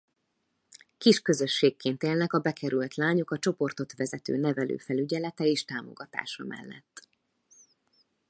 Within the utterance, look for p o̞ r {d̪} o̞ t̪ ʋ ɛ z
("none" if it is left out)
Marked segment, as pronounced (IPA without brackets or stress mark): t̪